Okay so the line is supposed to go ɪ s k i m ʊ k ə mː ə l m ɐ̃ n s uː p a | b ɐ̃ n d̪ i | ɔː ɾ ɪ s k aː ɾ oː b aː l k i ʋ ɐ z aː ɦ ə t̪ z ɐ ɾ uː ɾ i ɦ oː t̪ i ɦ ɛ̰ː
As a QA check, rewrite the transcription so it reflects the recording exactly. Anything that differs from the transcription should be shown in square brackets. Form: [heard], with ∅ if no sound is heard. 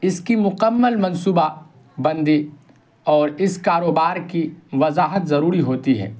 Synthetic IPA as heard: ɪ s k i m ʊ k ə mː ə l m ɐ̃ n s uː [b] a | b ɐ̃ n d̪ i | ɔː ɾ ɪ s k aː ɾ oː b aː [ɾ] k i ʋ ɐ z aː ɦ ə t̪ z ɐ ɾ uː ɾ i ɦ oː t̪ i ɦ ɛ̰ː